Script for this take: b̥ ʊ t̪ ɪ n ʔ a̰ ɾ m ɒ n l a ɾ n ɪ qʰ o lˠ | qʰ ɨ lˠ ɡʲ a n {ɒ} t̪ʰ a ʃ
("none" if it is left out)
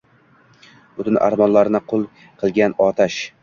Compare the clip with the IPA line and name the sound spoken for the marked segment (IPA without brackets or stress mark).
ɒ